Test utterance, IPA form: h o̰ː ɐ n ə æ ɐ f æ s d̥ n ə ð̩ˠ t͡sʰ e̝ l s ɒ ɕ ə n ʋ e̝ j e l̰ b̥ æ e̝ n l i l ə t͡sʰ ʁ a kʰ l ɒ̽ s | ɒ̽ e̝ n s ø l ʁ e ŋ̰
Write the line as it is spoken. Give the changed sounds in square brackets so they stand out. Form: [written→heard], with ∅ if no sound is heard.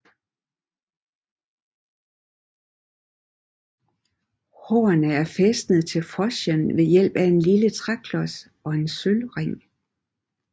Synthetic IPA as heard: h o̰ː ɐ n ə æ ɐ f [æ→e] s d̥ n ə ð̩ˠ t͡sʰ e̝ l [s→f] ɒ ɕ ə n ʋ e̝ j e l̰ b̥ æ e̝ n l i l ə t͡sʰ ʁ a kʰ l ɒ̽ s | ɒ̽ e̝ n s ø l ʁ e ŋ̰